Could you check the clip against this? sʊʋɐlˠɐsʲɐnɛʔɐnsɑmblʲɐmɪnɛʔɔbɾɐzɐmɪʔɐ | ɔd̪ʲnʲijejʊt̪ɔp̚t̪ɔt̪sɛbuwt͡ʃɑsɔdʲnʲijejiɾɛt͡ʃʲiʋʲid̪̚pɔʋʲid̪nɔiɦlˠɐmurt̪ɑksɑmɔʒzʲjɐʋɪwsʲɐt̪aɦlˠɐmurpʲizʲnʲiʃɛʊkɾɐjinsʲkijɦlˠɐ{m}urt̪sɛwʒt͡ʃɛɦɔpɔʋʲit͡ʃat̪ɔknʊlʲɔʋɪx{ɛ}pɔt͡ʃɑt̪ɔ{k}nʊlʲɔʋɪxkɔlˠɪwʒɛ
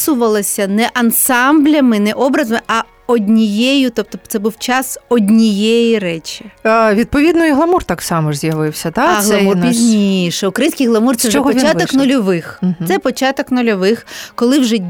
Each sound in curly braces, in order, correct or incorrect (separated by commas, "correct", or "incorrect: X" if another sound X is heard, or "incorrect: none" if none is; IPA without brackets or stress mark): correct, correct, correct